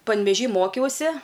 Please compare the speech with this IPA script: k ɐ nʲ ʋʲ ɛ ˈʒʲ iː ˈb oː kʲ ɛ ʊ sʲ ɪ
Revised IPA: p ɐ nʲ ʋʲ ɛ ˈʒʲ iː ˈm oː kʲ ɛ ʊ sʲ ɪ

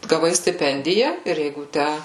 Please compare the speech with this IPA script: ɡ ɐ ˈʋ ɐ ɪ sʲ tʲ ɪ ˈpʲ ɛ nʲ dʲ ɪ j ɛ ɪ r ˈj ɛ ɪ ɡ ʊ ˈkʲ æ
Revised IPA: ɡ ɐ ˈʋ ɐ ɪ sʲ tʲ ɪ ˈpʲ ɛ nʲ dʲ ɪ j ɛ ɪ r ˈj ɛ ɪ ɡ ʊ ˈtʲ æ

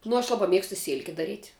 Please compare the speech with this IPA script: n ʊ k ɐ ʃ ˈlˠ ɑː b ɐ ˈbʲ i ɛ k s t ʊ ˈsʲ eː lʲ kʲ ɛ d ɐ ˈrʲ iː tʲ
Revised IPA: n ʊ ɐ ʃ ˈlˠ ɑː b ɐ ˈmʲ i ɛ k s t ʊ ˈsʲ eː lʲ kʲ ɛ d ɐ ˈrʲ iː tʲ

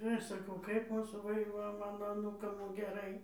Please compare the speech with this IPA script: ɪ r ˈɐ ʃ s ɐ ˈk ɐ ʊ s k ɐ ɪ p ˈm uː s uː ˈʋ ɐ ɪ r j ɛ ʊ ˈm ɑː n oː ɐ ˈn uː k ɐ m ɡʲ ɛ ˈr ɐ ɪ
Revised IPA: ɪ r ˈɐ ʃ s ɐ ˈk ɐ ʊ k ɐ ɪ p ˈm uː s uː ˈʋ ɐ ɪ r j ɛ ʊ ˈm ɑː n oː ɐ ˈn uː k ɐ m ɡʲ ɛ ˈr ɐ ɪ

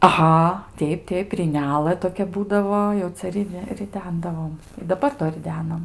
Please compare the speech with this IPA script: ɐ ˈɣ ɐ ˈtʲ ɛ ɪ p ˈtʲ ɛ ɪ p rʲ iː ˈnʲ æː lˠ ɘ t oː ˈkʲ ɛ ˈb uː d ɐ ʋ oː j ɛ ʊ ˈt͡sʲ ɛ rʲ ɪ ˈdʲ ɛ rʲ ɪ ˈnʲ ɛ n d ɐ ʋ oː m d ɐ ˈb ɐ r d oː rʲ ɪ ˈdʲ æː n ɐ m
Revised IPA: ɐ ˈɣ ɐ ˈtʲ ɛ ɪ p ˈtʲ ɛ ɪ p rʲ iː ˈnʲ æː lˠ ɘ t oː ˈkʲ ɛ ˈb uː d ɐ ʋ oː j ɛ ʊ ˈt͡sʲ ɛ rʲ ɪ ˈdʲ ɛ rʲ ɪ ˈdʲ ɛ n d ɐ ʋ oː m d ɐ ˈb ɐ r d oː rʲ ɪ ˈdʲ æː n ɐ m

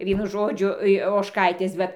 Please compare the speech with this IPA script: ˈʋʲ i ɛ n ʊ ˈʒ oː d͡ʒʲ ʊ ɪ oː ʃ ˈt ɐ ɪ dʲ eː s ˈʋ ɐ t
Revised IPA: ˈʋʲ i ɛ n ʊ ˈʒ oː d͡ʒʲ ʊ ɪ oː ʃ ˈk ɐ ɪ tʲ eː s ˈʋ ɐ t

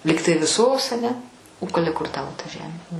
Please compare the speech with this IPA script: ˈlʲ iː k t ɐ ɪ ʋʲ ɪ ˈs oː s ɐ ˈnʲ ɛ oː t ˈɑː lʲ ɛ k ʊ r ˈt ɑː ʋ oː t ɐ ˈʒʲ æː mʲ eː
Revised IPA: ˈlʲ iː k t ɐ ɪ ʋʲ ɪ ˈs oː s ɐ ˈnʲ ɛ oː k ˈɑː lʲ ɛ k ʊ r ˈt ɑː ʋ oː t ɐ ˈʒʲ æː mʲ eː

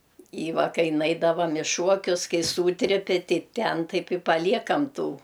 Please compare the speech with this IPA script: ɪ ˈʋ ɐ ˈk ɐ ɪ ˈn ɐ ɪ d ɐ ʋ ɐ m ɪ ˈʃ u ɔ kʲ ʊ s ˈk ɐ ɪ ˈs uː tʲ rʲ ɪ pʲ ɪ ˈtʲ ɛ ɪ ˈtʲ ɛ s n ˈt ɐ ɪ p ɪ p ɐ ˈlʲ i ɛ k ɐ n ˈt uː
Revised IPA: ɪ ˈʋ ɐ ˈk ɐ ɪ ˈn ɐ ɪ d ɐ ʋ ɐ m ɪ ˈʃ u ɔ kʲ ʊ s ˈk ɐ ɪ ˈs uː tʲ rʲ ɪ pʲ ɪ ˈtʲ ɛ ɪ ˈtʲ ɛ n ˈt ɐ ɪ p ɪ p ɐ ˈlʲ i ɛ k ɐ m ˈt uː

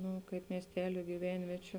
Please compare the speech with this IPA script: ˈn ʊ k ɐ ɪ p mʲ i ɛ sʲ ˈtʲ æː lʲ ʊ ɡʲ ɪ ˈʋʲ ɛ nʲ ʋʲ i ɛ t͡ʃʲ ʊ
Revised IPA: ˈn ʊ k ɐ ɪ p mʲ i ɛ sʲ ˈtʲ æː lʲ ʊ ɡʲ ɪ ˈʋʲ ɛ nʲ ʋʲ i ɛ t͡ʃʲ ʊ

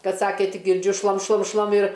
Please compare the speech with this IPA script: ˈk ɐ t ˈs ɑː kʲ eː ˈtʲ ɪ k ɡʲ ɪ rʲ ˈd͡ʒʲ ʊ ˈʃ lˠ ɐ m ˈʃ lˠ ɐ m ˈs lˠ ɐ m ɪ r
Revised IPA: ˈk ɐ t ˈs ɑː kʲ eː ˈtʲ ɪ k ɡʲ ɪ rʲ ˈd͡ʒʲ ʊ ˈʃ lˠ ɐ m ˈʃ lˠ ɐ m ˈʃ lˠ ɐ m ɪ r

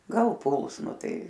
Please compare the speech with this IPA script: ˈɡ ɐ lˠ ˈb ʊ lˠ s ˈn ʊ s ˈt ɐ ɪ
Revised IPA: ˈɡ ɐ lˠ ˈp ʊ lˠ s ˈn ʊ ˈt ɐ ɪ

